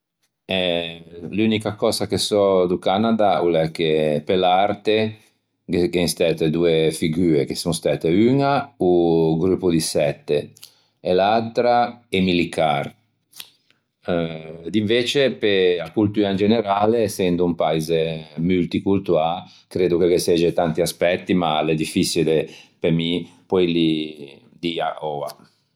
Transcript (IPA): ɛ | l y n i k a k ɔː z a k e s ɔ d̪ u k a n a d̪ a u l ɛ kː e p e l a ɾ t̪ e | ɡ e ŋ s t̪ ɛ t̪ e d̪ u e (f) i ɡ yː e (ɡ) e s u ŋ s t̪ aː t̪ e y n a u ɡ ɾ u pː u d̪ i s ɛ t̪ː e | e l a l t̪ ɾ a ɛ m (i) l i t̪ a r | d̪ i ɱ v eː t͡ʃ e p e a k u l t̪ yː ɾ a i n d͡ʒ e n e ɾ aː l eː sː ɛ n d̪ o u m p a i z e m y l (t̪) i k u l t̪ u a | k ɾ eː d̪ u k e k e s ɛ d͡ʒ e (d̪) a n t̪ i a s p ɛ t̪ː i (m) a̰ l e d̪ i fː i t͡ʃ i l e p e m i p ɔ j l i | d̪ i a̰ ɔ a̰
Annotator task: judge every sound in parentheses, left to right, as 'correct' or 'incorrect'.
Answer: correct, incorrect, correct, correct, incorrect, correct

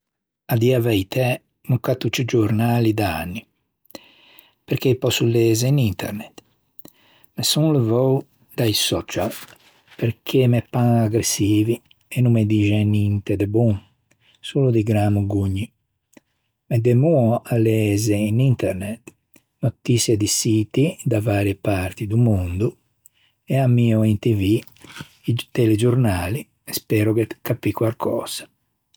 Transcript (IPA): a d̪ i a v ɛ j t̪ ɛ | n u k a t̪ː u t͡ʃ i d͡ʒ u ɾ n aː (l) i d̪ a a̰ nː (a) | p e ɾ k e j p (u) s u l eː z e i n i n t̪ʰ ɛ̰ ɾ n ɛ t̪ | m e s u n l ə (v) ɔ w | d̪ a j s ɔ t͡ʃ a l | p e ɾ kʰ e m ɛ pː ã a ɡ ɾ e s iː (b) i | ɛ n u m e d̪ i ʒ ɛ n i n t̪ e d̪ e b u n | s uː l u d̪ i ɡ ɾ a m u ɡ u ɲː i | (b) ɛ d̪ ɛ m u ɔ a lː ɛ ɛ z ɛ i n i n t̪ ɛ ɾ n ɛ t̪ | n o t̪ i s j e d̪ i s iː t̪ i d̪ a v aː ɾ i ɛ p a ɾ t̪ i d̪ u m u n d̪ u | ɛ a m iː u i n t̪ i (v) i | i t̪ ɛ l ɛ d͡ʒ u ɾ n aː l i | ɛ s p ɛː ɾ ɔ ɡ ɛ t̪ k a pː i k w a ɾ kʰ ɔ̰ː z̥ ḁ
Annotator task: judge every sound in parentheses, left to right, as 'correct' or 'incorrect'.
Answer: correct, incorrect, incorrect, correct, incorrect, incorrect, correct

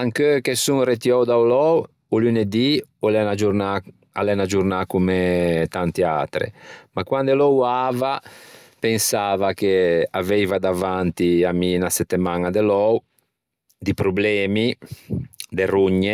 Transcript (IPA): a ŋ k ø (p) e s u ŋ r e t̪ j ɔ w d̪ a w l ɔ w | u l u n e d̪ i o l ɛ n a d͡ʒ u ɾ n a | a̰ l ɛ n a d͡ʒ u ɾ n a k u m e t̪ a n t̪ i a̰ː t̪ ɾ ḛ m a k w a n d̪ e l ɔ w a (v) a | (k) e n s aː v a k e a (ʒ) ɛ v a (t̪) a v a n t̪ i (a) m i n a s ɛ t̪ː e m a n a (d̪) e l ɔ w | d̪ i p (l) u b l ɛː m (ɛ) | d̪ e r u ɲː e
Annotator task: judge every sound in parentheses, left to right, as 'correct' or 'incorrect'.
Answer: incorrect, correct, incorrect, incorrect, incorrect, correct, correct, incorrect, incorrect

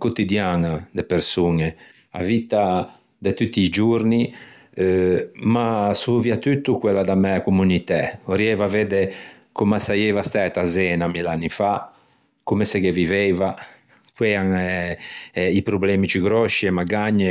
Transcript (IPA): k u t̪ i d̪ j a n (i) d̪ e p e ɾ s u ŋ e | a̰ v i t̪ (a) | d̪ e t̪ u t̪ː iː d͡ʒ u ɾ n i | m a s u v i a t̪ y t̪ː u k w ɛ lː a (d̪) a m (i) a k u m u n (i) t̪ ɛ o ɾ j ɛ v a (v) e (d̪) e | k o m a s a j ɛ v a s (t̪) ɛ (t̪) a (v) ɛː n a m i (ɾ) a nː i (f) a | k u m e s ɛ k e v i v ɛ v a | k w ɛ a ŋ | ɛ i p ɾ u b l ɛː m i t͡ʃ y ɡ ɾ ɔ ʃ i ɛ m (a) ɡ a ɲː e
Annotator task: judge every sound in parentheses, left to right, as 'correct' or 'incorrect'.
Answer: incorrect, correct, correct, incorrect, correct, correct, correct, correct, correct, incorrect, incorrect, correct, correct

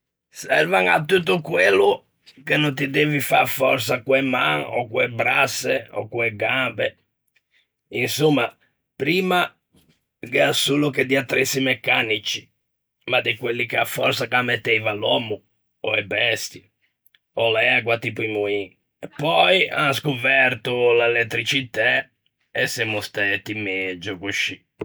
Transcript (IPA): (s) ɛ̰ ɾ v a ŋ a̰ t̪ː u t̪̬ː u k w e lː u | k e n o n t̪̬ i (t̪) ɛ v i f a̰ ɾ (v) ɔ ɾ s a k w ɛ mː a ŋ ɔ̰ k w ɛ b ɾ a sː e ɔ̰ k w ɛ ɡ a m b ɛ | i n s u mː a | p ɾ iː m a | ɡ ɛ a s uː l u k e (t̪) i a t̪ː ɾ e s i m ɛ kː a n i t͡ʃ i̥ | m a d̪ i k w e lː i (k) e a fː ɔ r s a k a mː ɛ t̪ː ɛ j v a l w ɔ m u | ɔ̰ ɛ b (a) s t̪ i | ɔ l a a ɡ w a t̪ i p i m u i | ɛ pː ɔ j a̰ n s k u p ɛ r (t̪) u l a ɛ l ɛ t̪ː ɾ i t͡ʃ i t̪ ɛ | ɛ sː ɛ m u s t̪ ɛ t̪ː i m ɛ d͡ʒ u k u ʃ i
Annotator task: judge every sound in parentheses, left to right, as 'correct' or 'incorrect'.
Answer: correct, incorrect, incorrect, incorrect, correct, incorrect, correct

